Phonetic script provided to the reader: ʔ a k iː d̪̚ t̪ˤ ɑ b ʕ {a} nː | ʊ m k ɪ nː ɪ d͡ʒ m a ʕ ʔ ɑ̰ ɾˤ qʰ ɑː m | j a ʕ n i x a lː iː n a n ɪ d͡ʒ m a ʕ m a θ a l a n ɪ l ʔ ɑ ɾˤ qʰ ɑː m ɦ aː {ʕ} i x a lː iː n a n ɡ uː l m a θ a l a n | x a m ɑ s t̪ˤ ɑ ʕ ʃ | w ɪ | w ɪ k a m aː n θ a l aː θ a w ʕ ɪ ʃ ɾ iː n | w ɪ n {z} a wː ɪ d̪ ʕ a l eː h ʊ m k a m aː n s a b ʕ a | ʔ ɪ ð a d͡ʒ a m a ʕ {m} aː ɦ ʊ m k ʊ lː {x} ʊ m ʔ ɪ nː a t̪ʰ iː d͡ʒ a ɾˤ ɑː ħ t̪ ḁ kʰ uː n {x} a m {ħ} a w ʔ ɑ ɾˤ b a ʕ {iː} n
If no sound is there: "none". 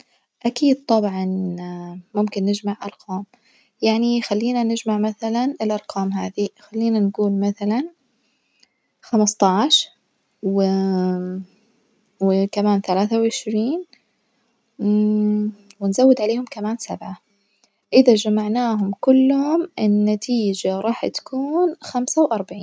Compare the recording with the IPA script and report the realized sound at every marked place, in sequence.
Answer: ɑ, ð, z, n, h, x, s, iː

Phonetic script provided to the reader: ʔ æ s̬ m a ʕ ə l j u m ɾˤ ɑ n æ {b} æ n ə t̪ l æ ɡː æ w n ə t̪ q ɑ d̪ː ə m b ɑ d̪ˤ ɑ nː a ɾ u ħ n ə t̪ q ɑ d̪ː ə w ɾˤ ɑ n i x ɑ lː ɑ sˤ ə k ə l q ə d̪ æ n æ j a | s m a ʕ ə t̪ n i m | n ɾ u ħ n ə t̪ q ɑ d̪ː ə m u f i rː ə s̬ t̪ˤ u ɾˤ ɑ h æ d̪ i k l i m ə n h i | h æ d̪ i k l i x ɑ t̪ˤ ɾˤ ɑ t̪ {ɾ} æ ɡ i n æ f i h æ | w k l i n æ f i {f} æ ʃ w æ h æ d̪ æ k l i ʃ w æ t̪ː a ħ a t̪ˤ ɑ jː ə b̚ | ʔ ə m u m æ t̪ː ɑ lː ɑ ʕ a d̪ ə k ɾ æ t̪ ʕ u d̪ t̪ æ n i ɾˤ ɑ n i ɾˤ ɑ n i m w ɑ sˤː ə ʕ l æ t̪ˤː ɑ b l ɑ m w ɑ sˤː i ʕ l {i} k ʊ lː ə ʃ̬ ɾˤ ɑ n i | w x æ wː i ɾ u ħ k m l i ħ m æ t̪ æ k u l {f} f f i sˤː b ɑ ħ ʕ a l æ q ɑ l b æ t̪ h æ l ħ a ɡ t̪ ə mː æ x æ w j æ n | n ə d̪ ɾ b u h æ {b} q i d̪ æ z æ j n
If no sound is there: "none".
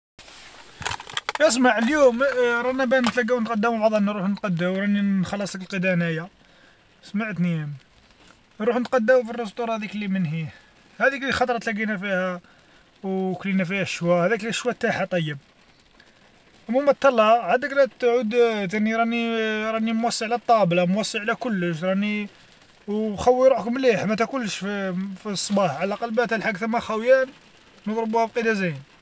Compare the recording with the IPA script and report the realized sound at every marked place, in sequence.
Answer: b, l, h, æ, ʃ, b

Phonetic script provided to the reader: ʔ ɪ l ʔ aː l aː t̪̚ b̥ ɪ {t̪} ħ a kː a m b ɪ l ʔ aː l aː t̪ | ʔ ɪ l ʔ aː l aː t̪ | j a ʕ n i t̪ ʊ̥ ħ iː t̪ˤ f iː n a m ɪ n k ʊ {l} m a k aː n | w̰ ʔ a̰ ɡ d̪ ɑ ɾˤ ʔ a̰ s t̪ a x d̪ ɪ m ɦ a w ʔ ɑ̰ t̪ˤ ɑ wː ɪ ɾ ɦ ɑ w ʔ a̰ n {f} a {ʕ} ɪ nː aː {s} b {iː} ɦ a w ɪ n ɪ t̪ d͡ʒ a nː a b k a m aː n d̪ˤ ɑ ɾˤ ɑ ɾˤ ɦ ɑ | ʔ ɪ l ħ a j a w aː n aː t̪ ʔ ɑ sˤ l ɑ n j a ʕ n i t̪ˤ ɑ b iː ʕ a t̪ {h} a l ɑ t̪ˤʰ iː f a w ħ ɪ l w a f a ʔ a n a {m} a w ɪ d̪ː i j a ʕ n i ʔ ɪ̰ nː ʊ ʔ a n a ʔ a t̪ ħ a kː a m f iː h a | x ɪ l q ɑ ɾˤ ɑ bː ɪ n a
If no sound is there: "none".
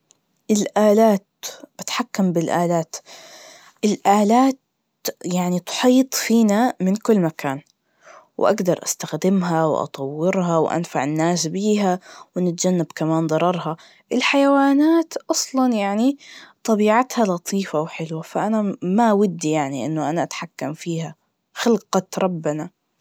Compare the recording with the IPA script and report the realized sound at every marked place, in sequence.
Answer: t̪, lː, f, ʕ, s, iː, h, m

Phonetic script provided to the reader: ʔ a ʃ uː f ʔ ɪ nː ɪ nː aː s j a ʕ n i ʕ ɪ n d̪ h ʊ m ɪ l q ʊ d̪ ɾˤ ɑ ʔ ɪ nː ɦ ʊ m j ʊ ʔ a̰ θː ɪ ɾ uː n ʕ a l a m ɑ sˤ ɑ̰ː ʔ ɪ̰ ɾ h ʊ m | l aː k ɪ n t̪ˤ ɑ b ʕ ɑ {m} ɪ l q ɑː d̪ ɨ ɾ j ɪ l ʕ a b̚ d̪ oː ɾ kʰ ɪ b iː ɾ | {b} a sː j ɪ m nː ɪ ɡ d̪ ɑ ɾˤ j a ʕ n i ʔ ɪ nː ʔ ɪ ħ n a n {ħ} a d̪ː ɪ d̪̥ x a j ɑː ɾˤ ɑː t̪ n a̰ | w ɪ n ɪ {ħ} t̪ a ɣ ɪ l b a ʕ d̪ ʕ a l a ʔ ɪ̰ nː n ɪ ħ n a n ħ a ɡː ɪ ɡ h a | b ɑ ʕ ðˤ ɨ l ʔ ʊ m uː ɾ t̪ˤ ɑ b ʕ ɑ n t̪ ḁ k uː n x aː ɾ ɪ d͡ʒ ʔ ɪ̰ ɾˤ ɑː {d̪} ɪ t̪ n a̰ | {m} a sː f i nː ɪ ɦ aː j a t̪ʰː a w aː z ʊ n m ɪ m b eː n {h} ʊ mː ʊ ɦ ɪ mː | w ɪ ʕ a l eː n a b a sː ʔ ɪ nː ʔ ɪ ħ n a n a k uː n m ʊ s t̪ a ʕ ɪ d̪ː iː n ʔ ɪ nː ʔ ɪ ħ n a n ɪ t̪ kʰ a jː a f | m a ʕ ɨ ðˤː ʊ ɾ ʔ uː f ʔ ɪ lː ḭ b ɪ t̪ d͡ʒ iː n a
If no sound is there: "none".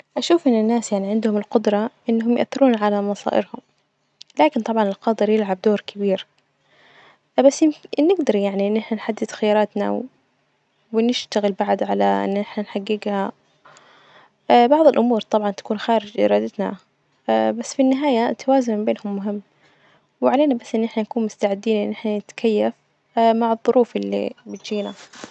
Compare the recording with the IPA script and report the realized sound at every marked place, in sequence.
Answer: n, b, ħ, ʃ, d̪, b, h

